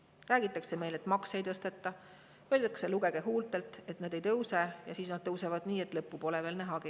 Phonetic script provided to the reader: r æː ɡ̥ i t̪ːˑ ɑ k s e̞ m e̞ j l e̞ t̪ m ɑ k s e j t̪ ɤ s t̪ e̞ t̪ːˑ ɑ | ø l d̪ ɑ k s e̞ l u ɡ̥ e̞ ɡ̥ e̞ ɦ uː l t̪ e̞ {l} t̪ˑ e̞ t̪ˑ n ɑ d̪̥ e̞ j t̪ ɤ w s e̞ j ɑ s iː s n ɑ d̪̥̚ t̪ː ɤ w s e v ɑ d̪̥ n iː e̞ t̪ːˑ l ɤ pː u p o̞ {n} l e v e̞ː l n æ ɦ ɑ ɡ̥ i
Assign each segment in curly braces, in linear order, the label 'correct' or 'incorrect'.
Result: correct, incorrect: none

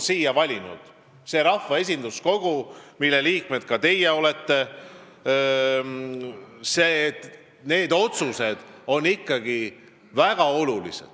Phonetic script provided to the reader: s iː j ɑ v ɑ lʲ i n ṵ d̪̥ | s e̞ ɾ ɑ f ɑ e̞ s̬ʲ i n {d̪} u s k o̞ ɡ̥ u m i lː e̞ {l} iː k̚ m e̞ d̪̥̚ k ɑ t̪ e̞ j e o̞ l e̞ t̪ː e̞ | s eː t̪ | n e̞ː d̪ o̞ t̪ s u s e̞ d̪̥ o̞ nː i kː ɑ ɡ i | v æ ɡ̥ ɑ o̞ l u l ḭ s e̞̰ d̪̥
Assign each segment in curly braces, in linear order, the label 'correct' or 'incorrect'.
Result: correct, correct

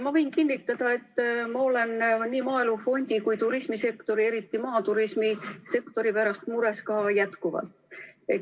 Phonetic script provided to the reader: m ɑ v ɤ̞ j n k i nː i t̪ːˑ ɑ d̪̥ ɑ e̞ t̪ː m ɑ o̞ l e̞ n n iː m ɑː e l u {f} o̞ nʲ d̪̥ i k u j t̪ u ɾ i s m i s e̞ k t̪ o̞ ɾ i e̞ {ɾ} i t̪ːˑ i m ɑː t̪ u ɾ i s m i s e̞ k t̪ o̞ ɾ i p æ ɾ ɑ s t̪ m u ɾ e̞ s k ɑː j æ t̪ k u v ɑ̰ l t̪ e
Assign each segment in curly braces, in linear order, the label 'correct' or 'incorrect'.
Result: correct, correct

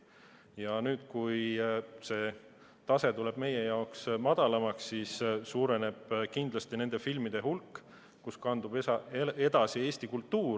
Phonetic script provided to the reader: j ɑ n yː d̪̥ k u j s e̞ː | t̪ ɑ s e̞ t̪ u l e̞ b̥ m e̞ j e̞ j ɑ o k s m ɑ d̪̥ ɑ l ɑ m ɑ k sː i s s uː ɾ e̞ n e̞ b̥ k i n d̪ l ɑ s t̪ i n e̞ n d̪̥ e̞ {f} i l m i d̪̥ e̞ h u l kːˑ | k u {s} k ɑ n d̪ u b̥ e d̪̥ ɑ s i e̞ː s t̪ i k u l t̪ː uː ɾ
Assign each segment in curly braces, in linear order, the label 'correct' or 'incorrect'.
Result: correct, correct

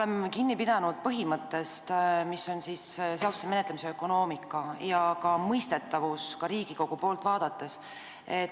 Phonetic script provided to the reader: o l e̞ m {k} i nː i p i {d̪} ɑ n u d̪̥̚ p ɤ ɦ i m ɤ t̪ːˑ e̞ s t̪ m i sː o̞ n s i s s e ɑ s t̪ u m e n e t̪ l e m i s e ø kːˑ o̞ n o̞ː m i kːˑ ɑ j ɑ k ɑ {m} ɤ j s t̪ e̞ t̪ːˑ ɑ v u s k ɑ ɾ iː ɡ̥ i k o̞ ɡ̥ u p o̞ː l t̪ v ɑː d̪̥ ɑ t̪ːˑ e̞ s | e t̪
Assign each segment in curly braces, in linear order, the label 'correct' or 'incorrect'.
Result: correct, correct, correct

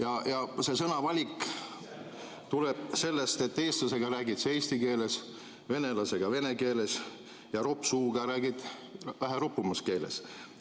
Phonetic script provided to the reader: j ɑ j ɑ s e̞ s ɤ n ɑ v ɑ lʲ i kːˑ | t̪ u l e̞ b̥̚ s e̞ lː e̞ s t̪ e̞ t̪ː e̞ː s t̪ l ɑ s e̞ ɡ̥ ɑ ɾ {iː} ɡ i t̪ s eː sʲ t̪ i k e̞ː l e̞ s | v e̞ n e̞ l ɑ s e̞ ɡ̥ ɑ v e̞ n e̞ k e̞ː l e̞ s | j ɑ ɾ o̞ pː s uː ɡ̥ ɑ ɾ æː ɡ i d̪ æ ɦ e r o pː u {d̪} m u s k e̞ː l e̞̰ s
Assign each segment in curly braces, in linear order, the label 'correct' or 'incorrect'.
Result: incorrect: æː, incorrect: none

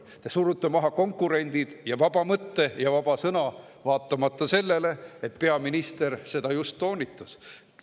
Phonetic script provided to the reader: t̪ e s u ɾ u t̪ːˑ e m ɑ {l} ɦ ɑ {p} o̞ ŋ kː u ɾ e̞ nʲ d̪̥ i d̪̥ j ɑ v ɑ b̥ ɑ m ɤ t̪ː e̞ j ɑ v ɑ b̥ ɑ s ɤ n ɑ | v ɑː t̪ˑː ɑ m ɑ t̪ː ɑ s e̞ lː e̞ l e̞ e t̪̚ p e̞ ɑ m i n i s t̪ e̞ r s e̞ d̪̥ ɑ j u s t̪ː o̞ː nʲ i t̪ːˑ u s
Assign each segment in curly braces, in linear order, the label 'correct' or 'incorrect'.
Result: incorrect: none, incorrect: k

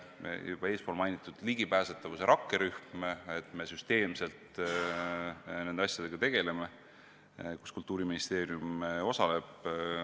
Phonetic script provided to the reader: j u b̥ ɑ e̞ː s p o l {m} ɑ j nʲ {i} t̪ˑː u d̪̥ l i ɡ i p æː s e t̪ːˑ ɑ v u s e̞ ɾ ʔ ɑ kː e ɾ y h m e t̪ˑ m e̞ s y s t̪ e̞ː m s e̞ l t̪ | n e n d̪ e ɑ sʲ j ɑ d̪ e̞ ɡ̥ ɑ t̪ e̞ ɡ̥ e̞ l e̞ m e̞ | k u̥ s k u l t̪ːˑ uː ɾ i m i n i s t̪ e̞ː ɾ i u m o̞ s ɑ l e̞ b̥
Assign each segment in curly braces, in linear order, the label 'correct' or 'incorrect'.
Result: correct, correct

